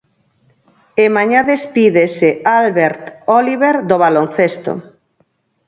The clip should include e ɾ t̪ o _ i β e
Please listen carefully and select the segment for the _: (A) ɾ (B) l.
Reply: B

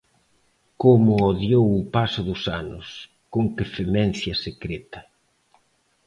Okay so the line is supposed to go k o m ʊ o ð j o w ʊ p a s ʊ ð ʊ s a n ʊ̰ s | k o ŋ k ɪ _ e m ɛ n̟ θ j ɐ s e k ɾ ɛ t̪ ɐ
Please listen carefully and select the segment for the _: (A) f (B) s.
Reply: A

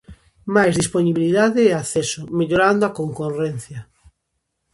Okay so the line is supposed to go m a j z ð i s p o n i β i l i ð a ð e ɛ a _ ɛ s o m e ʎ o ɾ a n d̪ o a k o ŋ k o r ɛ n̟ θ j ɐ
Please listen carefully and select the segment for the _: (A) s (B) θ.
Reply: B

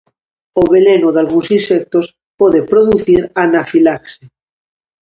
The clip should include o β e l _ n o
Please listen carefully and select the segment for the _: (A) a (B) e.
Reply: B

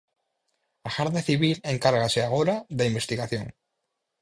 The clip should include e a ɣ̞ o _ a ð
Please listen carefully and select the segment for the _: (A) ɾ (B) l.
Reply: A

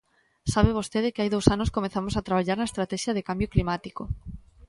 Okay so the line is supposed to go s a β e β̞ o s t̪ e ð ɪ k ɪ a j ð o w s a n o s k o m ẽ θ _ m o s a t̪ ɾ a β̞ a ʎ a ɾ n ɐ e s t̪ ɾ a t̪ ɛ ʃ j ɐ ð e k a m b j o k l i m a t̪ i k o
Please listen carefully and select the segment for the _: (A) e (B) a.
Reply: B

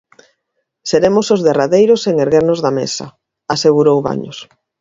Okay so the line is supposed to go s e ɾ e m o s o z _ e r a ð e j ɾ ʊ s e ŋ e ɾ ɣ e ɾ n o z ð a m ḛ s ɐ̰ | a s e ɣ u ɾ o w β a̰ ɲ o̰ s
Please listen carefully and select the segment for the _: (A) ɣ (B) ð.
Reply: B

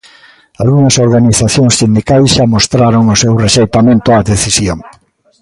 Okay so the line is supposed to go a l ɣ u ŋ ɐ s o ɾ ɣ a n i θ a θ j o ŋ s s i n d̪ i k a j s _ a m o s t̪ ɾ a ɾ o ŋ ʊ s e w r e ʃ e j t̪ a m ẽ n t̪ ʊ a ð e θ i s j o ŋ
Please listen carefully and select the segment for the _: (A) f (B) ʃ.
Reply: B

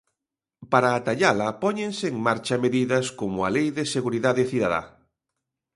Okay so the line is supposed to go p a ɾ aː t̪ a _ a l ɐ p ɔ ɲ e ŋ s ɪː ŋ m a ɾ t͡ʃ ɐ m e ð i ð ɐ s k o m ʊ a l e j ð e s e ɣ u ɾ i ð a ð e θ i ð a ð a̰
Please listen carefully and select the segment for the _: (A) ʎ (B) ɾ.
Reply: A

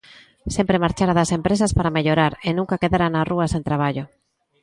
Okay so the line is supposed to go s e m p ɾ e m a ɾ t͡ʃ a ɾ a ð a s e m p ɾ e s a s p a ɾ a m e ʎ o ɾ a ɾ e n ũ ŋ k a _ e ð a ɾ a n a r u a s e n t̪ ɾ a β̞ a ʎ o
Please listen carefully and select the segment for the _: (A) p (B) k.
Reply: B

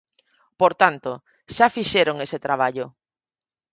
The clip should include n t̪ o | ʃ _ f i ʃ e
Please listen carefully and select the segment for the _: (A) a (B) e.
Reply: A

